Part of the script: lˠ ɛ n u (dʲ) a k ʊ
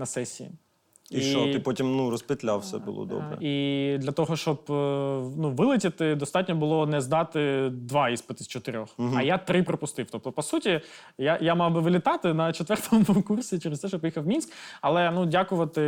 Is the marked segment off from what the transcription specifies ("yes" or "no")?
no